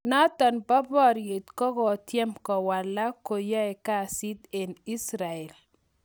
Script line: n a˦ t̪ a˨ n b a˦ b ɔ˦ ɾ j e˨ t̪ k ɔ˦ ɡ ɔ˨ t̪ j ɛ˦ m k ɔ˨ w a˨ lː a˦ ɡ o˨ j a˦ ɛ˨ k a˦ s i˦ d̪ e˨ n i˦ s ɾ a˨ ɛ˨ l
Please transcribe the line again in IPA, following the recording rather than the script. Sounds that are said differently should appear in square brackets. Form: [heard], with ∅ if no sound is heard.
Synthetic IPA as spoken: n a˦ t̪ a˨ n b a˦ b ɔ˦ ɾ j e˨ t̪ k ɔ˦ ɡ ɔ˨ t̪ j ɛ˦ m k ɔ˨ w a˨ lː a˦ [k] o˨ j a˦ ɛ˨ k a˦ s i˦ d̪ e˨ n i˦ s ɾ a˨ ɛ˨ l